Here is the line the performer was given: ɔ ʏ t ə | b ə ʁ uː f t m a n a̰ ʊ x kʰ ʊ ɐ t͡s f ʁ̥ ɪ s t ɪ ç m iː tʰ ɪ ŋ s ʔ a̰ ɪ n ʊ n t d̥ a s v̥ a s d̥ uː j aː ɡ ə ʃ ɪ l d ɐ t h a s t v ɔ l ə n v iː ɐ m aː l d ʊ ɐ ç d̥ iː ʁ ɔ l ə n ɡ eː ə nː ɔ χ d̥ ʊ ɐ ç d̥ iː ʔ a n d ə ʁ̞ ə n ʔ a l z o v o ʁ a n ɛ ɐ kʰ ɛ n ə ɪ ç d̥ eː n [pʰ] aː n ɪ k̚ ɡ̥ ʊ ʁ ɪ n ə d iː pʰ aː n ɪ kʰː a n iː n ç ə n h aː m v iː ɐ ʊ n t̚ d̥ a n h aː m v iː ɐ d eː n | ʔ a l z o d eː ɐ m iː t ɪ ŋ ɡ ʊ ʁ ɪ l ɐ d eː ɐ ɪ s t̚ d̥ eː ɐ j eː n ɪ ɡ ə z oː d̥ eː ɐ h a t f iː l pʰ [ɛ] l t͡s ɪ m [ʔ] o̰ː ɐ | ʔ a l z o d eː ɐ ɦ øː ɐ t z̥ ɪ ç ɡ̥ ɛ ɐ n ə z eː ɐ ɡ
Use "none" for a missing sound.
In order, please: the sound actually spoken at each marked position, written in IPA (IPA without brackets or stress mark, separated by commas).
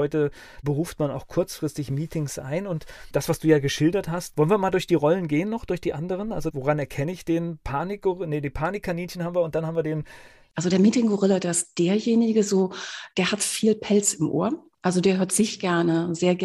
pʰ, ɛ, ʔ